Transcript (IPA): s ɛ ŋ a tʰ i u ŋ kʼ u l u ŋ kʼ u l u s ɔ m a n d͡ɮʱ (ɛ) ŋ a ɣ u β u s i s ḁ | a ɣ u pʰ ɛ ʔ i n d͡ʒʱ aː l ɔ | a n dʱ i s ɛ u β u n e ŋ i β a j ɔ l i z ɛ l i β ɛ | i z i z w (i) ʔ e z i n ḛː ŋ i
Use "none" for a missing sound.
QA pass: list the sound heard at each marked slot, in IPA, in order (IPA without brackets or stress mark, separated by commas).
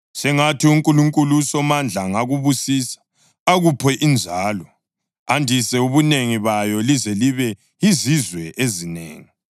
a, ɛ